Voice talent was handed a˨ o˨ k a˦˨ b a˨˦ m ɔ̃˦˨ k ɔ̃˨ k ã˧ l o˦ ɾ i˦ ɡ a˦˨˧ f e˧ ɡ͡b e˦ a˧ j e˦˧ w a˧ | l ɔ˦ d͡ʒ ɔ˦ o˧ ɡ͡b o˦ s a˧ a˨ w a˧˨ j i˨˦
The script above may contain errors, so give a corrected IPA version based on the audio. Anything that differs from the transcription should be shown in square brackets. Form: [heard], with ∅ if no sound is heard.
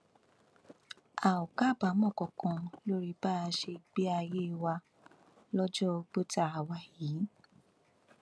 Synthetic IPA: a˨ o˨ k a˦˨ b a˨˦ m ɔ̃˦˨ k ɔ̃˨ k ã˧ l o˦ ɾ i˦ [b] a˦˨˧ [ʃ] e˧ ɡ͡b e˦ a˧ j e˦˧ w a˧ | l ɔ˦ d͡ʒ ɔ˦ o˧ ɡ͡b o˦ [t] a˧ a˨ w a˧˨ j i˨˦